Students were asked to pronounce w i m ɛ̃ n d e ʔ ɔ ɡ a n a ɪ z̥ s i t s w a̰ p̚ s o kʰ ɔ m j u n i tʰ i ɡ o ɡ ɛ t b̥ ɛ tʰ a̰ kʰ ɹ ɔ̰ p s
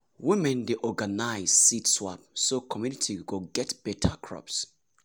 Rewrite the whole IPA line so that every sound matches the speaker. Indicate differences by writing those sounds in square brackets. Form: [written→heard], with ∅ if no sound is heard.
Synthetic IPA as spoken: w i m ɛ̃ n d e ʔ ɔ ɡ a n a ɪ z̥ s i t s w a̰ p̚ s o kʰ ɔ m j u n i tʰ i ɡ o ɡ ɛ t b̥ ɛ tʰ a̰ kʰ ɹ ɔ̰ p s